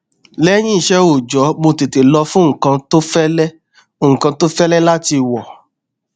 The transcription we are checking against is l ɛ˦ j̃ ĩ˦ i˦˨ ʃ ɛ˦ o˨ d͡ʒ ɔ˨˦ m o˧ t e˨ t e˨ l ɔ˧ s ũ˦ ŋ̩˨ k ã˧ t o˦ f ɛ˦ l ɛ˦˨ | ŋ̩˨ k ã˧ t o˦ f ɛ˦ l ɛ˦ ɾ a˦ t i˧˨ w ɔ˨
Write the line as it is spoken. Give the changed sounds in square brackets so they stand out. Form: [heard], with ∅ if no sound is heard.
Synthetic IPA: l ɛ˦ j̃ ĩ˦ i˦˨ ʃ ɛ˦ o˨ d͡ʒ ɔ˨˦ m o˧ t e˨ t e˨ l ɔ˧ [f] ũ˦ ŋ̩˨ k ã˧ t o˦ f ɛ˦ l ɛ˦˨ | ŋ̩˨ k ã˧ t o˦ f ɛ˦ l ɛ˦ [l] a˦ t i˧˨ w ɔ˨